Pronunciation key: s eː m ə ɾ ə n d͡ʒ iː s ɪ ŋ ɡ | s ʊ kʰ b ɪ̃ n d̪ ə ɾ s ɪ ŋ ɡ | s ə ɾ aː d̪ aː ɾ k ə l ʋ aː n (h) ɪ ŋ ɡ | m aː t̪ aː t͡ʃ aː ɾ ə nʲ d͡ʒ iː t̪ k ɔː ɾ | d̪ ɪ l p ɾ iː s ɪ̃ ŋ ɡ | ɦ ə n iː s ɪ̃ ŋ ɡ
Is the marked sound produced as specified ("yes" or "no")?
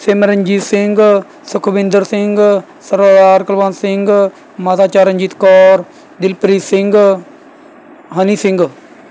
no